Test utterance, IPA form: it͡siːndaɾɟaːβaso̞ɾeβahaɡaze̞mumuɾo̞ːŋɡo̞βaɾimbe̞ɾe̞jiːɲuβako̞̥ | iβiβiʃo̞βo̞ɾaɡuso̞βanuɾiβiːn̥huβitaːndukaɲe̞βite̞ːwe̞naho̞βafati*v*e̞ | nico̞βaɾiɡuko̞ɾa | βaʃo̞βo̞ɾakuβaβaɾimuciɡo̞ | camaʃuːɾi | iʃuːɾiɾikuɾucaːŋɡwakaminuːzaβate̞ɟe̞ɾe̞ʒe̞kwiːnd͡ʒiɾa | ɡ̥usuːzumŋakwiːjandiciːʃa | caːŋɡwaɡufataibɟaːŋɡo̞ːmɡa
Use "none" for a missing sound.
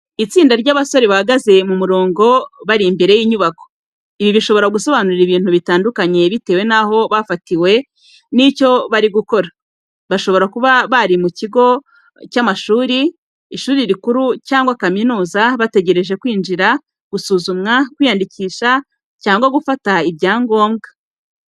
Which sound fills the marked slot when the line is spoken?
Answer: w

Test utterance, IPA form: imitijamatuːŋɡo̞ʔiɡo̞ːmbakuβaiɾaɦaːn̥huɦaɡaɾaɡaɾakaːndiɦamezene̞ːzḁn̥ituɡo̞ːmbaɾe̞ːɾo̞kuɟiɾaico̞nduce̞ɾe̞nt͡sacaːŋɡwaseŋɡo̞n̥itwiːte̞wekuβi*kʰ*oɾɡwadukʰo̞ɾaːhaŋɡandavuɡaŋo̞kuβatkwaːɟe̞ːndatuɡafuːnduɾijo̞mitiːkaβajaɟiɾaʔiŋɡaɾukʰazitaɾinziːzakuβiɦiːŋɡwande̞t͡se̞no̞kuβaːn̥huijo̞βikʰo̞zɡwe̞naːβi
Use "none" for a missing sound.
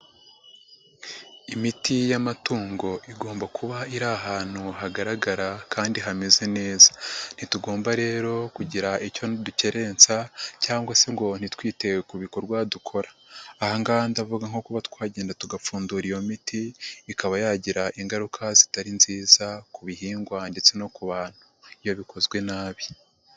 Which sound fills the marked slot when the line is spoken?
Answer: k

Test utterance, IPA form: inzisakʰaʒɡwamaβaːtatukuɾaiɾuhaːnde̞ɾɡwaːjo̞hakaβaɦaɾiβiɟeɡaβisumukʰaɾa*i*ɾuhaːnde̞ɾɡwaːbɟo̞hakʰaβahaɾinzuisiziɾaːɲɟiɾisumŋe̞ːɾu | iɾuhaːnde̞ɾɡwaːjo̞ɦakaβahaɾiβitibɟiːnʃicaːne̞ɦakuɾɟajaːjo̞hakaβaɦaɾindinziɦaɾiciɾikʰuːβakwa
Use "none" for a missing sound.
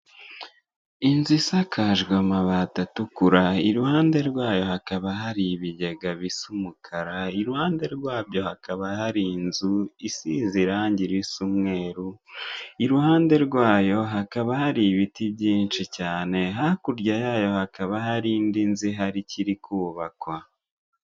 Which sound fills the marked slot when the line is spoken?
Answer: i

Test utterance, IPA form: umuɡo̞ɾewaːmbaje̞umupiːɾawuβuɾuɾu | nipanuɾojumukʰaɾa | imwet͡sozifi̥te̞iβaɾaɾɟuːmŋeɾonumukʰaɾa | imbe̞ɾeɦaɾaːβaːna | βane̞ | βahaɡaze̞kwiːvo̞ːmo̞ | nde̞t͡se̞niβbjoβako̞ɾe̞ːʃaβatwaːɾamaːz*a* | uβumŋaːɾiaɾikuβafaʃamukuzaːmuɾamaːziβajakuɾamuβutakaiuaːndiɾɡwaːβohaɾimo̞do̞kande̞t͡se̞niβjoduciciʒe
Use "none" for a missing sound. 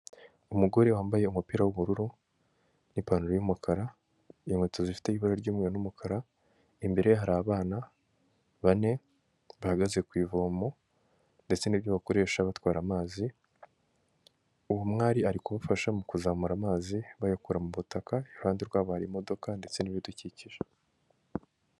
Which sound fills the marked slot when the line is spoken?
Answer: i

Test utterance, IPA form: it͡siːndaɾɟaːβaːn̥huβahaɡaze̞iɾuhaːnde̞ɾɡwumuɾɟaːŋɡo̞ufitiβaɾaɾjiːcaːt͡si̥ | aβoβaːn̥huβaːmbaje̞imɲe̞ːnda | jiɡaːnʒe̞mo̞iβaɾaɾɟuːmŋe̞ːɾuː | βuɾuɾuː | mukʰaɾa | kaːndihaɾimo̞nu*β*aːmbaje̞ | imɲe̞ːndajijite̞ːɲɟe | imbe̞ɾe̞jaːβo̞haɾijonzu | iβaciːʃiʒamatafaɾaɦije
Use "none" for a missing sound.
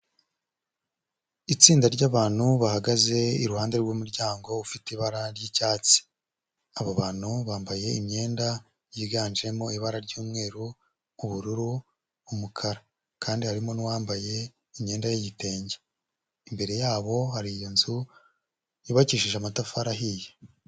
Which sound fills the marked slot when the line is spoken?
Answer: w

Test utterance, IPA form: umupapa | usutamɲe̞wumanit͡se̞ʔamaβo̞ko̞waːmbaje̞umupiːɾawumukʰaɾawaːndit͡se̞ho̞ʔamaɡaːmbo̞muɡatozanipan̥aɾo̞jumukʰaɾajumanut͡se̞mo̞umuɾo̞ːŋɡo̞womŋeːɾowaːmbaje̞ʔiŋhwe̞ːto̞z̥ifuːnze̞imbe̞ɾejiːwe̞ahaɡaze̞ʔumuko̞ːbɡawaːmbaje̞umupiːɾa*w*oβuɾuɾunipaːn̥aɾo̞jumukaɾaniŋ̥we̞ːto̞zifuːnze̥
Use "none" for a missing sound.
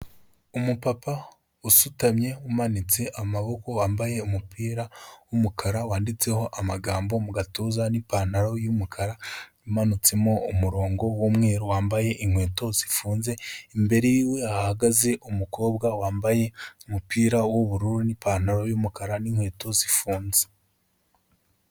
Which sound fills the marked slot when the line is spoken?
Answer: w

